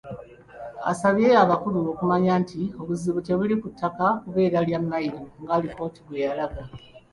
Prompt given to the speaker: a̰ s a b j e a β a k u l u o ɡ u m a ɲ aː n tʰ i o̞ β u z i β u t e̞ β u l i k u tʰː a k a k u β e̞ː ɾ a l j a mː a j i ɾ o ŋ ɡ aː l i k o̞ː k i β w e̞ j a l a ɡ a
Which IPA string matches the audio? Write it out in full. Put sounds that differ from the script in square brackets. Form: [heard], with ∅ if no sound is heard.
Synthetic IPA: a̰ s a [β] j e a β a k u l u o [k] u m a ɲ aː n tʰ i o̞ β u z i β u t e̞ β u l i k u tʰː a k a k u β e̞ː ɾ a l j a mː a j i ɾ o ŋ ɡ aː l i k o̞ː [t] i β w e̞ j a l a ɡ a